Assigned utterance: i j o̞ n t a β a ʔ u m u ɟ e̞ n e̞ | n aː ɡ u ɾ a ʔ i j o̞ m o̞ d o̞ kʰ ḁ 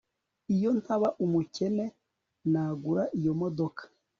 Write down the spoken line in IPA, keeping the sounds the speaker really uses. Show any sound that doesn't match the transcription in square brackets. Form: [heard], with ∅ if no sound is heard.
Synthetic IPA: i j o̞ n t a β a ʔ u m u [c] e̞ n e̞ | n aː ɡ u ɾ a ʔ i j o̞ m o̞ d o̞ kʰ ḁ

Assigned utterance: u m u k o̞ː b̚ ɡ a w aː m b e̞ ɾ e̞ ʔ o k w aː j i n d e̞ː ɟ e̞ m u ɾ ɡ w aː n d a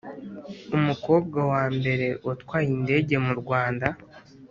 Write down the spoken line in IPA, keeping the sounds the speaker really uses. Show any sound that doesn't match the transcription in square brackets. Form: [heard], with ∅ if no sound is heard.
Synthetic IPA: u m u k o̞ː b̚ ɡ a w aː m b e̞ ɾ e̞ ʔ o [t] w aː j i n d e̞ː ɟ e̞ m u ɾ ɡ w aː n d a

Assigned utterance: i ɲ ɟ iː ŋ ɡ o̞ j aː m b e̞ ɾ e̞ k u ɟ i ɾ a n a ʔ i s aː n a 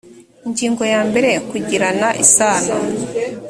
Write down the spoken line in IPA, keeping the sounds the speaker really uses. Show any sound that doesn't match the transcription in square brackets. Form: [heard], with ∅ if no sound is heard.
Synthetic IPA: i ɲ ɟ iː ŋ ɡ o̞ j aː m b e̞ ɾ e̞ k u ɟ i ɾ a n a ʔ i s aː n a

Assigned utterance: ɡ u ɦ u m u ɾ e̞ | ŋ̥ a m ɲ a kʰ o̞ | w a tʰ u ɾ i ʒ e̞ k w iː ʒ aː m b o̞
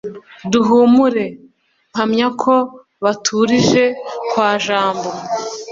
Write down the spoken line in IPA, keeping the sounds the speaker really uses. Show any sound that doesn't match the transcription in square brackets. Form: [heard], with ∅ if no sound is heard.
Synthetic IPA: [d] u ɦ u m u ɾ e̞ | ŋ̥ a m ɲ a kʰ o̞ | [β] a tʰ u ɾ i ʒ e̞ k w [aː] ʒ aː m b o̞

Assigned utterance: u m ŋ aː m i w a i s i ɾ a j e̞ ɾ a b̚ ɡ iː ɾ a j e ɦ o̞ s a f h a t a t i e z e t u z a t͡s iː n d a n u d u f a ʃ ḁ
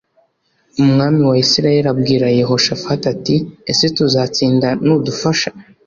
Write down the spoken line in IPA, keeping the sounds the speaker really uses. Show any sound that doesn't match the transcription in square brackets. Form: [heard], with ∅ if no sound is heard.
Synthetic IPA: u m ŋ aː m i w a i s i ɾ a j e̞ ɾ a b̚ ɡ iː ɾ a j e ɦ o̞ [ʃ] a f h a t a t i e [s] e t u z a t͡s iː n d a n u d u f a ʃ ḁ

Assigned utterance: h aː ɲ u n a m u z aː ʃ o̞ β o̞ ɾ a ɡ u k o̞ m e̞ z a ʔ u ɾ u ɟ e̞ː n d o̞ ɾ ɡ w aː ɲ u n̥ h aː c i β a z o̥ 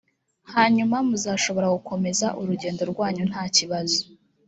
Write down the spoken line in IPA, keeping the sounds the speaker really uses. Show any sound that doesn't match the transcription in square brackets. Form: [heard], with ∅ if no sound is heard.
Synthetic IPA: h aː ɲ u [m] a m u z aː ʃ o̞ β o̞ ɾ a ɡ u k o̞ m e̞ z a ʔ u ɾ u ɟ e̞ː n d o̞ ɾ ɡ w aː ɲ u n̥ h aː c i β a z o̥

